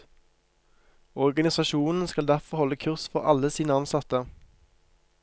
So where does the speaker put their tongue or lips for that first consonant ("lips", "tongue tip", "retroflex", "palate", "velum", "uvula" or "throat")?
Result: uvula